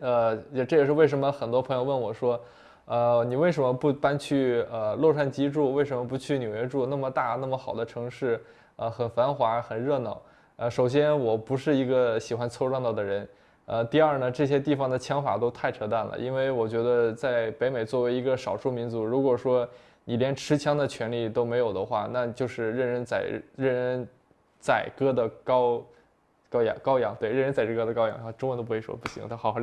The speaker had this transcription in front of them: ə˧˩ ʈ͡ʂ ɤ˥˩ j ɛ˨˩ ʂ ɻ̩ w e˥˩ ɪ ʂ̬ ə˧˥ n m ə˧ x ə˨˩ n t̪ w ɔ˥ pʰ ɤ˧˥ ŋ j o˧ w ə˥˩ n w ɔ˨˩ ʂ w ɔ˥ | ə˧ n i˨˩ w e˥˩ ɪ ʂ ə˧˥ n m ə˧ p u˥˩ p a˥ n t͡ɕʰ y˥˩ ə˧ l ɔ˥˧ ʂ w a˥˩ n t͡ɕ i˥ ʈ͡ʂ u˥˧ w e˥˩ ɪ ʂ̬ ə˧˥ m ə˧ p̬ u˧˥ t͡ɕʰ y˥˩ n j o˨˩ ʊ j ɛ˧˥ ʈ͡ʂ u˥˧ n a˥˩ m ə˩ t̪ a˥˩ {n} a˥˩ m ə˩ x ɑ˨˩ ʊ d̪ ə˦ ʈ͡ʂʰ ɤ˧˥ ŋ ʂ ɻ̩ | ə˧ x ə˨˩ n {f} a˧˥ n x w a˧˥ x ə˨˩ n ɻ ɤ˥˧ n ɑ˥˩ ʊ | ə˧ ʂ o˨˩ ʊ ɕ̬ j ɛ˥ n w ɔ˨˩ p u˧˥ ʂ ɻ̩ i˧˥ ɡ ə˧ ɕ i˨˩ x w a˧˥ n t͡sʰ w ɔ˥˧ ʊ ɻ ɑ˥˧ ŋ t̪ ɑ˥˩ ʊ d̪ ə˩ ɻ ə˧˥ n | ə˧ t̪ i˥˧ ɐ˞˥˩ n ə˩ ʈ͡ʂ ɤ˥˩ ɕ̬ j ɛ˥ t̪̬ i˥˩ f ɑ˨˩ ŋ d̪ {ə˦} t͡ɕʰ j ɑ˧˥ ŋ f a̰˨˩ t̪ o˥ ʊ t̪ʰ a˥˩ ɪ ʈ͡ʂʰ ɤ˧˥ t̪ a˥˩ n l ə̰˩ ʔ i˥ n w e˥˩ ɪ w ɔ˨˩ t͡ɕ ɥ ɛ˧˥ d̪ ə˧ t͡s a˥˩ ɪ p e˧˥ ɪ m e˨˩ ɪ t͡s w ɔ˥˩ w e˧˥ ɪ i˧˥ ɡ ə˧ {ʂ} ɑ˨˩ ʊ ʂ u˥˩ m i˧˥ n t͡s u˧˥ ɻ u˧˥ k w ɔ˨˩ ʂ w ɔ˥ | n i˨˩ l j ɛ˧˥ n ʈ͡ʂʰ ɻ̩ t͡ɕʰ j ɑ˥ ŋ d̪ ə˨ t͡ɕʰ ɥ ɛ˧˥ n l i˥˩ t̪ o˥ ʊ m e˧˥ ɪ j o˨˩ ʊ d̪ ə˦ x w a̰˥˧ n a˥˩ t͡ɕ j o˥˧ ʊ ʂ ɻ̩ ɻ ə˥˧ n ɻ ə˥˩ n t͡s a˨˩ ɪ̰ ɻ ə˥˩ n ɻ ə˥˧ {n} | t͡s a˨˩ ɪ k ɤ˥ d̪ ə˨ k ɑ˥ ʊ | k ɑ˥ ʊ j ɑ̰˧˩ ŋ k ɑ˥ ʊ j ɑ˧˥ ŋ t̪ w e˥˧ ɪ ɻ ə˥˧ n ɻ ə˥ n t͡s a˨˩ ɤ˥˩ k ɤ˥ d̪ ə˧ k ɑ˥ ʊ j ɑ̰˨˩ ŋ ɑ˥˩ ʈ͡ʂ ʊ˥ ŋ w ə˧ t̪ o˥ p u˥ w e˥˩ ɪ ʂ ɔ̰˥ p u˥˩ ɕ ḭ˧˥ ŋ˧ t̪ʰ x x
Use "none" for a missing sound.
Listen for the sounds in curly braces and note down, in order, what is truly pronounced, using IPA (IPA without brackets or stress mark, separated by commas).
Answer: n, f, ə˩, ʂ, n